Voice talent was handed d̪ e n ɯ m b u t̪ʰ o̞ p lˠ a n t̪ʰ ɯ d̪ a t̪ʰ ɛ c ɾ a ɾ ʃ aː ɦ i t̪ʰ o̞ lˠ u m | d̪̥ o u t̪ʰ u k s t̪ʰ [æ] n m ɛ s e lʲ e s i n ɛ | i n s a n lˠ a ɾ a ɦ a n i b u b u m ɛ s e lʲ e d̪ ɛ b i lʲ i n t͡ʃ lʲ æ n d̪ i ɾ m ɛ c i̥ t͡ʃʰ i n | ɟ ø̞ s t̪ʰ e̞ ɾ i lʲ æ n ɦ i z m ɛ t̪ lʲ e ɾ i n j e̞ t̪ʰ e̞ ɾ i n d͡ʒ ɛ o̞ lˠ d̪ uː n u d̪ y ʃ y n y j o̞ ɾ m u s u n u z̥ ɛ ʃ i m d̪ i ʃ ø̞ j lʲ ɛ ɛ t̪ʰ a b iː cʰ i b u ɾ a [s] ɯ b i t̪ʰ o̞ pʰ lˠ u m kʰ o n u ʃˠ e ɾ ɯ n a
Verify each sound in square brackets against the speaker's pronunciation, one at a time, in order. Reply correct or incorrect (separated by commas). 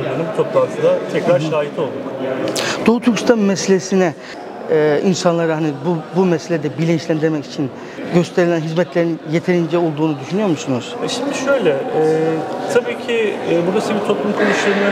incorrect, correct